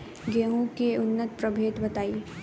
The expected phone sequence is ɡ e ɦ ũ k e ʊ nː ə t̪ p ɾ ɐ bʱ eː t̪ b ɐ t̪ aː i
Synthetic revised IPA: ɡ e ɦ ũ k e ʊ nː ə t̪ p ɾ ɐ bʱ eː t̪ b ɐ t̪ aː i